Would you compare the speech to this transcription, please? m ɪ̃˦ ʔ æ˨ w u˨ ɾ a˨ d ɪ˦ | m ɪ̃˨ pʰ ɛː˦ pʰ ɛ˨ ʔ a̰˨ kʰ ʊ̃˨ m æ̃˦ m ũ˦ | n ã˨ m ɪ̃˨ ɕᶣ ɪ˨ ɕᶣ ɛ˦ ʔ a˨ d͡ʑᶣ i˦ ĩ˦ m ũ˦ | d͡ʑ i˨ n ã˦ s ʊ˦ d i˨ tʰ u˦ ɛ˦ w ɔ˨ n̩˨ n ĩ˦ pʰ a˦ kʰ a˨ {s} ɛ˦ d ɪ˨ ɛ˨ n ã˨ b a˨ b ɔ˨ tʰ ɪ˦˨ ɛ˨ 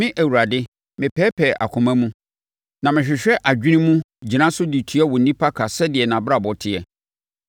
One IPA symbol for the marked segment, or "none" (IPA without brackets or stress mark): s